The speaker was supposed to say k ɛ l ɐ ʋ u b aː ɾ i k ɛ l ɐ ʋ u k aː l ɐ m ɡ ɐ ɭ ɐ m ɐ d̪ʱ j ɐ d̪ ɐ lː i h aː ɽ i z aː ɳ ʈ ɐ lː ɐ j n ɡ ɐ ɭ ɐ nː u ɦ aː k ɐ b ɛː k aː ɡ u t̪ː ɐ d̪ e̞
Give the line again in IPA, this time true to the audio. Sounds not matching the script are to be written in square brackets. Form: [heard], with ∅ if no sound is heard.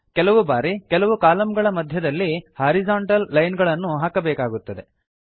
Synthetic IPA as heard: k ɛ l ɐ ʋ u b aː ɾ i k ɛ l ɐ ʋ u k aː l ɐ m ɡ ɐ ɭ ɐ m ɐ d̪ʱ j ɐ d̪ ɐ lː i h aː [ɾ] i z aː ɳ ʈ ɐ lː ɐ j n ɡ ɐ ɭ ɐ nː u ɦ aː k ɐ b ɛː k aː ɡ u t̪ː ɐ d̪ e̞